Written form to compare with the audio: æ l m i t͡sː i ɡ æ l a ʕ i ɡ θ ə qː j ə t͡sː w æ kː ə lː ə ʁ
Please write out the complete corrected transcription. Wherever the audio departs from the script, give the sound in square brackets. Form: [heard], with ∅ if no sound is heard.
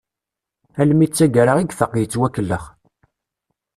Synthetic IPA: æ l m i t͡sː [æ] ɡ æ [ɾ] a [ʁ] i ɡ θ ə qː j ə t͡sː w æ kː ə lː ə [χ]